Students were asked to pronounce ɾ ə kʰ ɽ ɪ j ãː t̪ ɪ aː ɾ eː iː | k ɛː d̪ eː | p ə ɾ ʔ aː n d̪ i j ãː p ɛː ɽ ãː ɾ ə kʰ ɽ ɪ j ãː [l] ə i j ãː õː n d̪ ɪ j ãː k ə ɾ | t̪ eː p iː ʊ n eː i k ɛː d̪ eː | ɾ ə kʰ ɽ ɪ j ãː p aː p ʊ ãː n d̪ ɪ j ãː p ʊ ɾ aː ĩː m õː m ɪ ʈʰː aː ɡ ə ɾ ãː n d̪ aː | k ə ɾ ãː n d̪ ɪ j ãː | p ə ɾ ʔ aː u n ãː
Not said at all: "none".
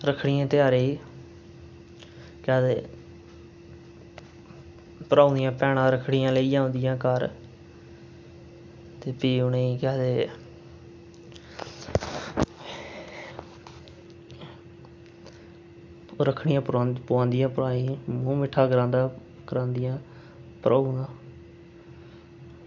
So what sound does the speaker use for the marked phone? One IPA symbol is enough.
l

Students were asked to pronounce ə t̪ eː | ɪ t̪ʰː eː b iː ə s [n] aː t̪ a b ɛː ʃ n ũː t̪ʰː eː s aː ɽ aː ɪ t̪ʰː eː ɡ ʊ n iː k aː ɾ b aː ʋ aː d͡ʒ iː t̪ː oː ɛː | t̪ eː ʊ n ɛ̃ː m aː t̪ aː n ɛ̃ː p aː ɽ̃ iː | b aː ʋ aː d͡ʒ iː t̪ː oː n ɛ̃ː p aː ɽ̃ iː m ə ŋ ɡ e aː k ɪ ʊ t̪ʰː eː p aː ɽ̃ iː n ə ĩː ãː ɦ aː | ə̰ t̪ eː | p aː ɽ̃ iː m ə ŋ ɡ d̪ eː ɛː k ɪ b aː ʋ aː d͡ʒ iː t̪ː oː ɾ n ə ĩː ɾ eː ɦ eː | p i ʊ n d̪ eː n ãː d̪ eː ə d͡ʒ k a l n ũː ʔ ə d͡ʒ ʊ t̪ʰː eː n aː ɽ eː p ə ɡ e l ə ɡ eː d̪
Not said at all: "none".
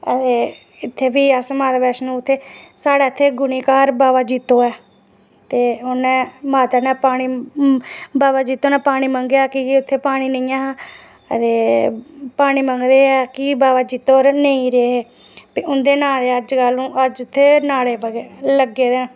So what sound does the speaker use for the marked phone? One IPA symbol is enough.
m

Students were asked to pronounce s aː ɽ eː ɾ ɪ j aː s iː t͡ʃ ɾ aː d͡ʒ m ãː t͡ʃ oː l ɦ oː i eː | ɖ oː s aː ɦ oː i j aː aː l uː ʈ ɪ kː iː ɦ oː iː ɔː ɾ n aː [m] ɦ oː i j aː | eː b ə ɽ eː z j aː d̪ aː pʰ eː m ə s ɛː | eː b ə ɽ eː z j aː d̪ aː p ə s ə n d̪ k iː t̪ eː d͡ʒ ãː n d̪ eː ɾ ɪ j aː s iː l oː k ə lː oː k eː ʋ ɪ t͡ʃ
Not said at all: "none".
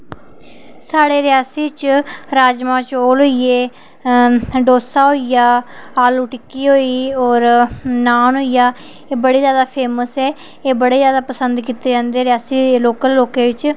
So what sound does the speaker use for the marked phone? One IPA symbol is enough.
n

